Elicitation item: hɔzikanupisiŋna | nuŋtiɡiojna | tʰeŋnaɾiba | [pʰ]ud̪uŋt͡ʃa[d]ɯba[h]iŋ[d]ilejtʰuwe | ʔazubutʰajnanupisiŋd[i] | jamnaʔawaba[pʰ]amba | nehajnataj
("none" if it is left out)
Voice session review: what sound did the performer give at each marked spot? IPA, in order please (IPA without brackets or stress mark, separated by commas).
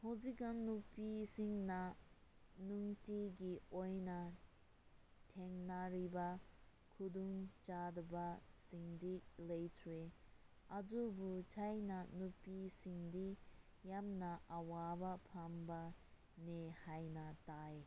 kʰ, d, s, d, i, pʰ